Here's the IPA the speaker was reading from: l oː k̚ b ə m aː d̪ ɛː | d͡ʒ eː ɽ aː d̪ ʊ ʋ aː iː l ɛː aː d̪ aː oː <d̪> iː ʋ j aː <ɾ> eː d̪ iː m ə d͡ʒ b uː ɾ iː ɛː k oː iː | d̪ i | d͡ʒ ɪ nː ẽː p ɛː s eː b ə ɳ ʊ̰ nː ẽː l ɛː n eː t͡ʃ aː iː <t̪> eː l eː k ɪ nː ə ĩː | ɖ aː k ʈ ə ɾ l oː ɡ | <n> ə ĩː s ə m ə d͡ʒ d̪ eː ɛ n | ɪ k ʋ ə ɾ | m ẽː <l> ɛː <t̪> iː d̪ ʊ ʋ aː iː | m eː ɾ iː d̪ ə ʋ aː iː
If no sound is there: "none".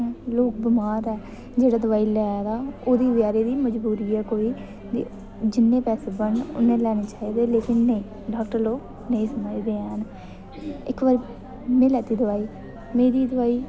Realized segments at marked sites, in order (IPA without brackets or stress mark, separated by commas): d̪, ɾ, d̪, n, l, t̪